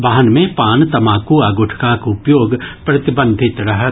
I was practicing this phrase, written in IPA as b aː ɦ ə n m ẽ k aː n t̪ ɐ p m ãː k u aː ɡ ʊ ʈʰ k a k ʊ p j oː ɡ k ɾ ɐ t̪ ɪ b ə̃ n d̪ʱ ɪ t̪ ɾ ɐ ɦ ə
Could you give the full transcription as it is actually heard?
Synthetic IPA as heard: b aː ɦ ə n m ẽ p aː n t̪ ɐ m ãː k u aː ɡ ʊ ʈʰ k a k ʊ p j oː ɡ p ɾ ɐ t̪ ɪ b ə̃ n d̪ʱ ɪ t̪ ɾ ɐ ɦ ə

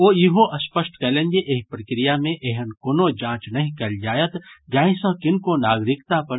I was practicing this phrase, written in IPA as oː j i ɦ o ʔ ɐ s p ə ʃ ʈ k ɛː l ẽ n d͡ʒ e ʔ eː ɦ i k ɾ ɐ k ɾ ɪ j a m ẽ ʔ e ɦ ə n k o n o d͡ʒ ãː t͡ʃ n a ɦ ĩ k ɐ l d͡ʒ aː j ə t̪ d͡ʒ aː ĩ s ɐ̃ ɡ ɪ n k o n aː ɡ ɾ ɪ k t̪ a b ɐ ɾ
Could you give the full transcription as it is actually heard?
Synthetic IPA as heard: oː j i ɦ o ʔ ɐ s p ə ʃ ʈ k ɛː l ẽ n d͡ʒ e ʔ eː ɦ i p ɾ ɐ k ɾ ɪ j a m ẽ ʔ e ɦ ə n k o n o d͡ʒ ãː t͡ʃ n ɐ ɦ ĩ k ɐ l d͡ʒ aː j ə t̪ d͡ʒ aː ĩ s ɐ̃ k ɪ n k o n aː ɡ ɾ ɪ k t̪ a p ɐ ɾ

